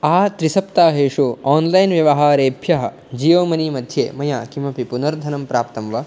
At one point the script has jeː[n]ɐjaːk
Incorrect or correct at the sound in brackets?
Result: incorrect: m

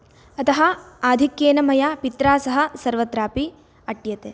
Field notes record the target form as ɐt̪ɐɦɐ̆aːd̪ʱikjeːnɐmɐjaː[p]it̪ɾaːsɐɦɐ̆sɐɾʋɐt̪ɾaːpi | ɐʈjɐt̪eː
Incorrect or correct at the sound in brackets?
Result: correct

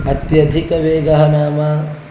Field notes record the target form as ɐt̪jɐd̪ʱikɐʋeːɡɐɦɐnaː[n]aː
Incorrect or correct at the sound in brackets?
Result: incorrect: m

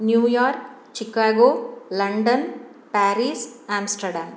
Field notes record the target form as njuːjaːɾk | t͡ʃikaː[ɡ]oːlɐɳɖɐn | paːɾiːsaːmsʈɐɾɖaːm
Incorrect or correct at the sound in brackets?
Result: correct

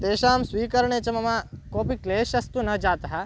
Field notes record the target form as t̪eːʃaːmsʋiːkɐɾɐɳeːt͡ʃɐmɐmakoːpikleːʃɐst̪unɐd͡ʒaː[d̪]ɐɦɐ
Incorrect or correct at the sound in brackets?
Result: incorrect: t̪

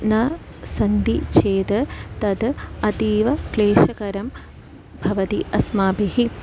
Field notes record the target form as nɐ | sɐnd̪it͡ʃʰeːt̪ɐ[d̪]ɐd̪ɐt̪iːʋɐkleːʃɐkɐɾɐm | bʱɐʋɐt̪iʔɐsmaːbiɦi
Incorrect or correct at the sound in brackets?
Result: incorrect: t̪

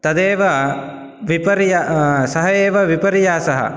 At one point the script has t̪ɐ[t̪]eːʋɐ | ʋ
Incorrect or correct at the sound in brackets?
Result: incorrect: d̪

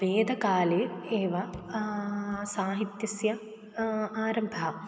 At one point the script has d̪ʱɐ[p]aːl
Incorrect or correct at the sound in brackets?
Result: incorrect: k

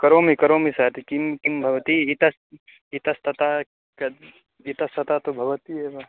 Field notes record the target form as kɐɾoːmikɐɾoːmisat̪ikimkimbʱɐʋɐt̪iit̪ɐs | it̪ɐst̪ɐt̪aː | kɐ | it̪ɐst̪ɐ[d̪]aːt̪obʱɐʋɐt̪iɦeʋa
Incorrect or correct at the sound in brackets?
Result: incorrect: t̪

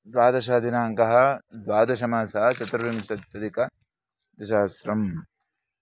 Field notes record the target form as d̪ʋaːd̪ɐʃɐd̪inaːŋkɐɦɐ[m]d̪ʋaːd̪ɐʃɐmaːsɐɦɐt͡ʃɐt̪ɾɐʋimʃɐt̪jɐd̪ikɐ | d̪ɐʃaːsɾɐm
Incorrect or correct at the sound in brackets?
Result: incorrect: none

